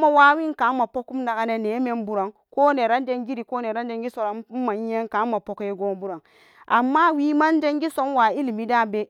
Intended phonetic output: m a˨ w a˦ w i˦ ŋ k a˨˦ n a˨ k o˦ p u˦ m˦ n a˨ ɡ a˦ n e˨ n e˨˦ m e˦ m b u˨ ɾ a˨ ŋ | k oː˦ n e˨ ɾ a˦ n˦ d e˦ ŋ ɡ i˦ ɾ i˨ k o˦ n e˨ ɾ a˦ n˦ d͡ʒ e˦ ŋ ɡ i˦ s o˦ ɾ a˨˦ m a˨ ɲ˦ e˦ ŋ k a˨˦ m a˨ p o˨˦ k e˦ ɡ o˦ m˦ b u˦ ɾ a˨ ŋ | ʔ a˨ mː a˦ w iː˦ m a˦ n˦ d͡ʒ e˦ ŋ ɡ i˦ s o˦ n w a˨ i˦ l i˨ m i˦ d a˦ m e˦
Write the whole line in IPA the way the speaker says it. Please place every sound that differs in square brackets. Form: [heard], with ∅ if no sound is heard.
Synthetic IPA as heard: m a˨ w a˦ w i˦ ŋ k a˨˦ [m] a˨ [p] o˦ [k] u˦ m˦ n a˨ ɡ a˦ n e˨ n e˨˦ m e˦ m b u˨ ɾ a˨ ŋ | k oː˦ n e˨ ɾ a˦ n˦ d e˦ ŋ ɡ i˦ ɾ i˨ k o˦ n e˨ ɾ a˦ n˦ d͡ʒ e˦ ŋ ɡ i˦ s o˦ ɾ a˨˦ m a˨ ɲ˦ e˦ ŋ k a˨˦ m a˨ p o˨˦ k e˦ ɡ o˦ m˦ b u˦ ɾ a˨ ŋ | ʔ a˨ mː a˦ w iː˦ m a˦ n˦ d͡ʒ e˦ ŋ ɡ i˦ s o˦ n w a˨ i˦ l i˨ m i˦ d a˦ [b] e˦